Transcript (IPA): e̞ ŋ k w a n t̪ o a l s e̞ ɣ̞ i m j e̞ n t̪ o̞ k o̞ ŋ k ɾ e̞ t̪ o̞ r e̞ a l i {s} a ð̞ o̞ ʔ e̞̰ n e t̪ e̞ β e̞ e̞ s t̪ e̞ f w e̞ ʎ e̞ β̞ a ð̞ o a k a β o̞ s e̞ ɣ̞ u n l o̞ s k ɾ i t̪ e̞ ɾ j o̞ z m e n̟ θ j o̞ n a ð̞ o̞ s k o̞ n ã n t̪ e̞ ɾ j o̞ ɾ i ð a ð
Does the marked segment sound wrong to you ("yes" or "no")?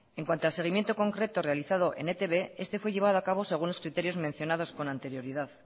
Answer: yes